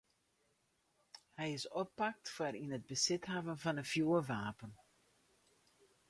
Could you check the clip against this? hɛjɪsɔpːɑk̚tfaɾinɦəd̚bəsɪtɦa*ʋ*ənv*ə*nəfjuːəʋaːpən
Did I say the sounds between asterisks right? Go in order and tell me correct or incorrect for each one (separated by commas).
incorrect, incorrect